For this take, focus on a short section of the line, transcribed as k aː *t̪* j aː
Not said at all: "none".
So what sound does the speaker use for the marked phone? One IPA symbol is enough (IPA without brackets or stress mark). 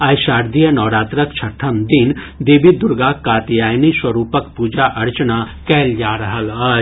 t̪